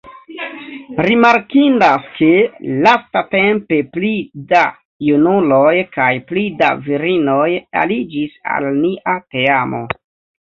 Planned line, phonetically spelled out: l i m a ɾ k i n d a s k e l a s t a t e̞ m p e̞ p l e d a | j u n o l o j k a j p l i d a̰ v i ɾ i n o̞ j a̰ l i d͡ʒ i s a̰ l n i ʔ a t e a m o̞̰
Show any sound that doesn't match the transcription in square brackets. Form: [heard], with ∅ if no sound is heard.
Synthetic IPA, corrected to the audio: [ɾ] i m a ɾ k i n d a s k e l a s t a t e̞ m p e̞ p l [i] d a | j u n [u] l o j k a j p l i d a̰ v i ɾ i n o̞ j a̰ l i d͡ʒ i s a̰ l n i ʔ a t e a m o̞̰